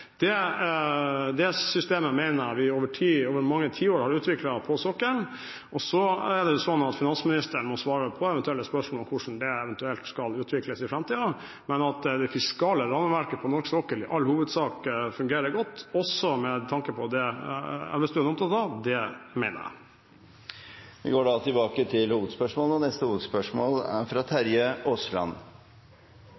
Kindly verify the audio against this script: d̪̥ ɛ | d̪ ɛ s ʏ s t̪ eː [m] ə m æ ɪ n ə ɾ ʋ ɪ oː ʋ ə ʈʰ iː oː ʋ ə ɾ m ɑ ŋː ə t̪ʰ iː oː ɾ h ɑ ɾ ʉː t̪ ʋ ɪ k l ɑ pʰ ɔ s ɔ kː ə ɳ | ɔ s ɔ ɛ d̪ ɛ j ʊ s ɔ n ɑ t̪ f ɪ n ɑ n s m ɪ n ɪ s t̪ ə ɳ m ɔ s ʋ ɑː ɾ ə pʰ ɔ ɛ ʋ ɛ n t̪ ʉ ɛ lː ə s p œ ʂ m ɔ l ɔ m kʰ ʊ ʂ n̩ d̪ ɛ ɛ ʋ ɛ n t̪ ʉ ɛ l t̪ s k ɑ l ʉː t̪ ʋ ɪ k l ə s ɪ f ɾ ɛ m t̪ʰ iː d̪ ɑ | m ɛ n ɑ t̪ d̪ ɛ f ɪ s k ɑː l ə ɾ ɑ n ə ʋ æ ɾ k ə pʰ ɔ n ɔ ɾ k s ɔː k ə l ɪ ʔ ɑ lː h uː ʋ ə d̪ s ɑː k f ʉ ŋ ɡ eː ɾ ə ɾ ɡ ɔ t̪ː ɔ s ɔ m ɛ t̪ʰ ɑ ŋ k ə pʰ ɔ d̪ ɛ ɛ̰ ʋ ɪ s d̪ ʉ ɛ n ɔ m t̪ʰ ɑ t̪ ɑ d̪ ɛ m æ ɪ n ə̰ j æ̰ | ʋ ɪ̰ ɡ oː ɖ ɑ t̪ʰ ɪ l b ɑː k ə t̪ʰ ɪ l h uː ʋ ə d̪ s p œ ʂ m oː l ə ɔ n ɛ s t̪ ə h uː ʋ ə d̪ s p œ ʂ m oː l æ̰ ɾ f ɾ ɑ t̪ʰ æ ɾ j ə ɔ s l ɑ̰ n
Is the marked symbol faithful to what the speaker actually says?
yes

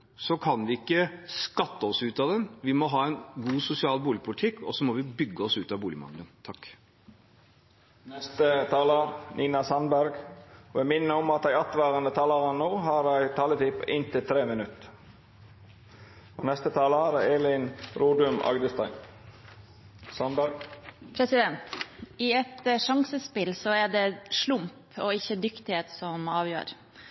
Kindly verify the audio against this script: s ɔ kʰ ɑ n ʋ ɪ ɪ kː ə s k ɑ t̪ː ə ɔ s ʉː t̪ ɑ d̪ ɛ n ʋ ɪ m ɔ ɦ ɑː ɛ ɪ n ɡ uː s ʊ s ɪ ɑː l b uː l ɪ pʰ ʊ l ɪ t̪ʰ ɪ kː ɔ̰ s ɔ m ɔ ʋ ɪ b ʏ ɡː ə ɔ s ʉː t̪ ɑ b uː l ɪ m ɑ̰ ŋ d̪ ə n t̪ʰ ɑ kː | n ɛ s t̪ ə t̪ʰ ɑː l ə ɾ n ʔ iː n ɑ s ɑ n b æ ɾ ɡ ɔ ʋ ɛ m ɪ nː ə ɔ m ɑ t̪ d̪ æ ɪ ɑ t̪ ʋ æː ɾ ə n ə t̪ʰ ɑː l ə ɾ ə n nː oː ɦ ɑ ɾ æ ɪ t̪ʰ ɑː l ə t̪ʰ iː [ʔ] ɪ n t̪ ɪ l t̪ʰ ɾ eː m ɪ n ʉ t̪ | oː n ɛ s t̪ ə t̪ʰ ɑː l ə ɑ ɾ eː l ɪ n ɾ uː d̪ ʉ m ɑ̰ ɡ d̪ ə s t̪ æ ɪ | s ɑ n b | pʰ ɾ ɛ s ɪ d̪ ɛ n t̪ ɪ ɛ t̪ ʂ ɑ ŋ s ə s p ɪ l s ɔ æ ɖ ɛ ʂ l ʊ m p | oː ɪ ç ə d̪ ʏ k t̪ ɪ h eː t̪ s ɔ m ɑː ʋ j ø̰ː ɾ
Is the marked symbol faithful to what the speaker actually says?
no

